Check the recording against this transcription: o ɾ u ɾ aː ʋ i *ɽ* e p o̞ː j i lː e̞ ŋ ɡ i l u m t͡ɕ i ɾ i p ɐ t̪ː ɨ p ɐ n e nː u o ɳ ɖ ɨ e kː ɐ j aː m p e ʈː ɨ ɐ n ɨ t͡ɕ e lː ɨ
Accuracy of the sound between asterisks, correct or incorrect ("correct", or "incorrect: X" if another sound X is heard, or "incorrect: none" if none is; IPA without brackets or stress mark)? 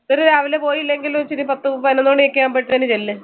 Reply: incorrect: l